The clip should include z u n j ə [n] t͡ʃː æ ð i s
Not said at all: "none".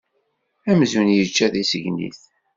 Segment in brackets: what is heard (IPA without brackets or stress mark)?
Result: none